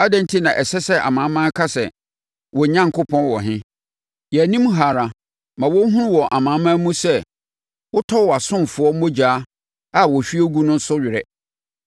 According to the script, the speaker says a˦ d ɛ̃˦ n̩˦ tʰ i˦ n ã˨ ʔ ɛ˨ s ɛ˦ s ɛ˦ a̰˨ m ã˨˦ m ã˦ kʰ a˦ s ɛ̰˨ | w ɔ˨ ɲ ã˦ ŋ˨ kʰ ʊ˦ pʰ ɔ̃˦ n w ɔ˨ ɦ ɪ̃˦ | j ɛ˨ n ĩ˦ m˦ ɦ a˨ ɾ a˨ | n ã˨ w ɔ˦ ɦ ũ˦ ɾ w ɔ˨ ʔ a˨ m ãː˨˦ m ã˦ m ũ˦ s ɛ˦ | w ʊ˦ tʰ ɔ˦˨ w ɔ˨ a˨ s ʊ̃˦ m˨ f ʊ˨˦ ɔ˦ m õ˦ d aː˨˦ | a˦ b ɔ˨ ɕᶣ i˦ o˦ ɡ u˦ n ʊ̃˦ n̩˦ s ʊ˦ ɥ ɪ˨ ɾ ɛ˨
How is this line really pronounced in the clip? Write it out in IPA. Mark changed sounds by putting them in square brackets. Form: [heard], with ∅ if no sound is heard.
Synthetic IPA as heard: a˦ d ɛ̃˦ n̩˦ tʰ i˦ n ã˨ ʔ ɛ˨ s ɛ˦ s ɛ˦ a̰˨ m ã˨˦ m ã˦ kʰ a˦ s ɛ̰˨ | w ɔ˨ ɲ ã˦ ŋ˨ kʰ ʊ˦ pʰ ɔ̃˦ n w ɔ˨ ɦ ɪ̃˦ | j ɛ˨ n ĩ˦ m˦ ɦ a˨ ɾ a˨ | [m] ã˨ w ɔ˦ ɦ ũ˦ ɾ w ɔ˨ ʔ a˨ m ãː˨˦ m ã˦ m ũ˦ s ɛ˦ | w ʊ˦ tʰ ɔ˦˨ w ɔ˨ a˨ s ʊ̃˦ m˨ f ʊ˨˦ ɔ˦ m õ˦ [d͡ʑ] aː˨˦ | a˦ [w] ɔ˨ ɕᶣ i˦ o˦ ɡ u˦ n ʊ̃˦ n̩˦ s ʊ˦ ɥ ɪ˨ ɾ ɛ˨